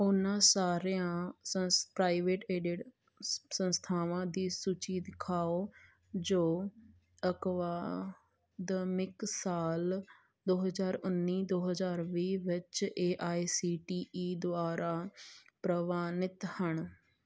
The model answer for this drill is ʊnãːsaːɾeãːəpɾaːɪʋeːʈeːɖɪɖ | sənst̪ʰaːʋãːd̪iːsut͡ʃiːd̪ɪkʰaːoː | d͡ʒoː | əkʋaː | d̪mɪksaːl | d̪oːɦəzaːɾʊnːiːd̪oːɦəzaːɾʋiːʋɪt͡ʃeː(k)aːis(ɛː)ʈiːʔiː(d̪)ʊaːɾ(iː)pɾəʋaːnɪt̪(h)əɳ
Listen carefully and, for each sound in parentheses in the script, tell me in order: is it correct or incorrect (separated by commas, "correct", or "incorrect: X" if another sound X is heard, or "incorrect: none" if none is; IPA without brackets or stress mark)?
incorrect: ʔ, incorrect: iː, correct, incorrect: aː, correct